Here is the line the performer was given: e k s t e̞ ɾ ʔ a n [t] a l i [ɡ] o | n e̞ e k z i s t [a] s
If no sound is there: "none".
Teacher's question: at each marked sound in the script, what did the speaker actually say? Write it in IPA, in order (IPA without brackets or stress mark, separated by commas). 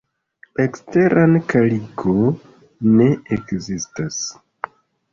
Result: k, ɡ, a